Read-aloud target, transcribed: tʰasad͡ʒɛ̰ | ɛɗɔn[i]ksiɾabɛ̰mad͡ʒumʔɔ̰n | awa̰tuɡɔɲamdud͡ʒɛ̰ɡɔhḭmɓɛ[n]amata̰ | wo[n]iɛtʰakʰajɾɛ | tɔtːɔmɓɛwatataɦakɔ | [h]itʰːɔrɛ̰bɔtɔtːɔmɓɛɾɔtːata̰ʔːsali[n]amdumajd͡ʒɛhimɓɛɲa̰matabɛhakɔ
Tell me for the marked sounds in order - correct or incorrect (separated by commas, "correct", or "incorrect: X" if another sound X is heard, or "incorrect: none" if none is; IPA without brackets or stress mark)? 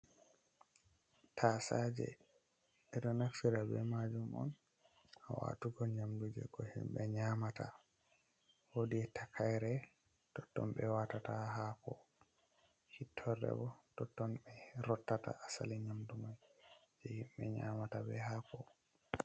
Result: incorrect: a, incorrect: ɲ, incorrect: d, correct, incorrect: ɲ